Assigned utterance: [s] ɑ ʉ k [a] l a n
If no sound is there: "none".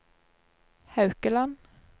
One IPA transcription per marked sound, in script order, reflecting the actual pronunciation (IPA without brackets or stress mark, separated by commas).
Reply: h, ə